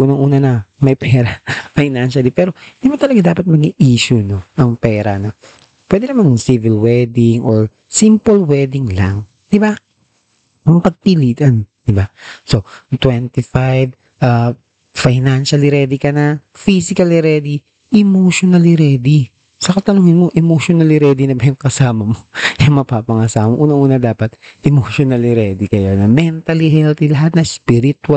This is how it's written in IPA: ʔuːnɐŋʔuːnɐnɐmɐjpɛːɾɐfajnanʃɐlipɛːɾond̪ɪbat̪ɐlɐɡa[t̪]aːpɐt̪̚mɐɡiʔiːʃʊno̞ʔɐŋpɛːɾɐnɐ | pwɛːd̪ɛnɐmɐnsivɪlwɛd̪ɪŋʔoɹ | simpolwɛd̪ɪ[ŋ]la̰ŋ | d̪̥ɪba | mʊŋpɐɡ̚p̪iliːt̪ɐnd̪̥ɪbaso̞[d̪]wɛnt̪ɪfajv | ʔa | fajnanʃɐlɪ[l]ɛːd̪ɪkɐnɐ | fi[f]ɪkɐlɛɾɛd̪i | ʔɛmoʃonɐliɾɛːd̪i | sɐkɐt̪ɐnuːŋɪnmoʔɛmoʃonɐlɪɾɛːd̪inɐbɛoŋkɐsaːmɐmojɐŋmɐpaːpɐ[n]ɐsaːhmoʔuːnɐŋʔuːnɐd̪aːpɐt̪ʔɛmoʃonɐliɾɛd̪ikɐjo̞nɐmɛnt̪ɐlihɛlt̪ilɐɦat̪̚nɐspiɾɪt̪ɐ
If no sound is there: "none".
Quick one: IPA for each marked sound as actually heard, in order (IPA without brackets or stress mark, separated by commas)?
d̪, ŋ, t̪, ɾ, s, ŋ